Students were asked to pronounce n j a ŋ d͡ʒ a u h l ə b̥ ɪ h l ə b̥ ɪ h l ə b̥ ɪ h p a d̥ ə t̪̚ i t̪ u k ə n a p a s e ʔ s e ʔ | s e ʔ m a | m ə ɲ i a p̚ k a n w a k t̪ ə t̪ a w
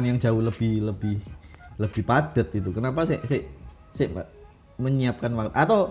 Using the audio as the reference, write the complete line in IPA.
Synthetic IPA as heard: n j a ŋ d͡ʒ a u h l ə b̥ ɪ h l ə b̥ ɪ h l ə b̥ ɪ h p a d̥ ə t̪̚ i t̪ u k ə n a p a s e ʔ s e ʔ | s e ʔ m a | m ə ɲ i a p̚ k a n w a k t̪ a t̪ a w